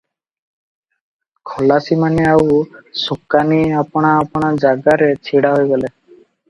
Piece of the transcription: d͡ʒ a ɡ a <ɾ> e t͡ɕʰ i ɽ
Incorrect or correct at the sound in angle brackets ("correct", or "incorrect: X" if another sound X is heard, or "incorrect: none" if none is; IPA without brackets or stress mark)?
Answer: correct